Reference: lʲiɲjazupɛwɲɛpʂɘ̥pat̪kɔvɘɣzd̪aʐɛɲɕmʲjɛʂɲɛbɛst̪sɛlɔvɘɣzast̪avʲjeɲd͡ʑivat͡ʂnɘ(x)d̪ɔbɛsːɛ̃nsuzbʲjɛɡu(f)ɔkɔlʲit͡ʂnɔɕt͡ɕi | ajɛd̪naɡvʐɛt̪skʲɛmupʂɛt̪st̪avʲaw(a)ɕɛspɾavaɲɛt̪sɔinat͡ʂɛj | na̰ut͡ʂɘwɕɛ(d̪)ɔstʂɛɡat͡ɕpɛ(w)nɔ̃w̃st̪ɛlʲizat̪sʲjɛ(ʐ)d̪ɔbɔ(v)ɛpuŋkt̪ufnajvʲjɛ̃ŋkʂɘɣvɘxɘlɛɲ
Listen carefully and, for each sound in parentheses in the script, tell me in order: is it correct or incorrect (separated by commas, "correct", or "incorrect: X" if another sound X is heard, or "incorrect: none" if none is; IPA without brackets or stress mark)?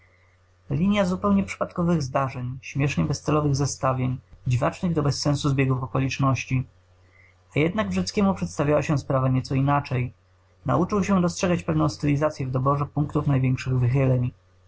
incorrect: ɣ, correct, correct, correct, incorrect: v, incorrect: v, incorrect: ʐ